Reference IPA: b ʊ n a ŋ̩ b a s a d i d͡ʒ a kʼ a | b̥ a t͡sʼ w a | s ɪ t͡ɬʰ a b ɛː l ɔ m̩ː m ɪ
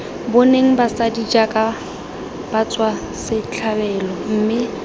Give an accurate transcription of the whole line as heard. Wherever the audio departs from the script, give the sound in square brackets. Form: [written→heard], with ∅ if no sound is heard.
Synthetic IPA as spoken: b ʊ n [a→e] ŋ̩ b a s a d i d͡ʒ a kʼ a | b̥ a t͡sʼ w a | s ɪ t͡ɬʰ a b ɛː l ɔ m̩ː m ɪ